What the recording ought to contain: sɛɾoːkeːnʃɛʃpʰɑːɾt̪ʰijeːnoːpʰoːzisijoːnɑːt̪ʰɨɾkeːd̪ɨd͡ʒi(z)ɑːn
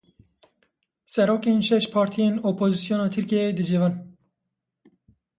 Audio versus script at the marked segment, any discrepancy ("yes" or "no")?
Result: yes